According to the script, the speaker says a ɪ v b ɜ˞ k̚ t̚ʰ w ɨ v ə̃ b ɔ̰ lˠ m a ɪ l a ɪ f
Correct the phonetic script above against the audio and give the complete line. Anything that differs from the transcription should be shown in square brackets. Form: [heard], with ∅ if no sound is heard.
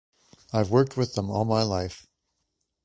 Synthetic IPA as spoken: a ɪ v [w] ɜ˞ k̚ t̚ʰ w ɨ [ð] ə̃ [m] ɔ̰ lˠ m a ɪ l a ɪ f